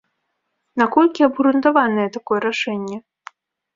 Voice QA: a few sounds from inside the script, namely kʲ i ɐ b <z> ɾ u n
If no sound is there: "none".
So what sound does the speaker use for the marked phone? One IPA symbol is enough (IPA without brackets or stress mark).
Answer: ɣ